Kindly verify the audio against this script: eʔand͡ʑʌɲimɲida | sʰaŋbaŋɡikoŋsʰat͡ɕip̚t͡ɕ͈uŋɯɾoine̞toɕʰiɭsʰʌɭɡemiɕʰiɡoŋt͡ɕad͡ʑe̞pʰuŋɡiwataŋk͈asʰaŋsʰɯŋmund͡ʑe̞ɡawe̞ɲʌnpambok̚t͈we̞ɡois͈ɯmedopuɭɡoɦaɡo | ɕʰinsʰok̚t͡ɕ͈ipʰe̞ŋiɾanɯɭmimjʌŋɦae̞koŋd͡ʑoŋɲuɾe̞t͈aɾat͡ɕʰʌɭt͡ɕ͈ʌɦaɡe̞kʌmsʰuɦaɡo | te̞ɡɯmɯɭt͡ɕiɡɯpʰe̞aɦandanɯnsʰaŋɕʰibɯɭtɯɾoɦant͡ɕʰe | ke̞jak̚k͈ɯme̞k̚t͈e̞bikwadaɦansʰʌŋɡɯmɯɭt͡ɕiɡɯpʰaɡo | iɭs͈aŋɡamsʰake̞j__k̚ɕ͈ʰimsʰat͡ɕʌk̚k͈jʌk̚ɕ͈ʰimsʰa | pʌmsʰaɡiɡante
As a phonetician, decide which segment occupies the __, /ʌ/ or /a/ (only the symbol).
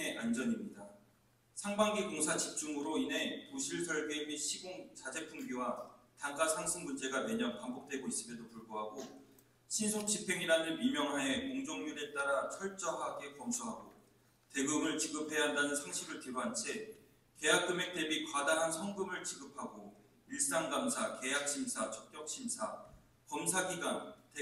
a